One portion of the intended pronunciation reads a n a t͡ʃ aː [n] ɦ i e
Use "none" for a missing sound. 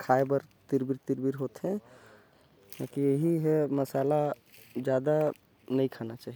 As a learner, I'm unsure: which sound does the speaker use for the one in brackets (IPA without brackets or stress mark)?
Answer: none